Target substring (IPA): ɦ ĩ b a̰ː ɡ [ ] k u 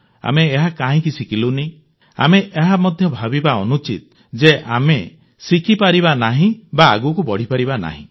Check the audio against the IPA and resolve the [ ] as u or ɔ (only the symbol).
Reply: u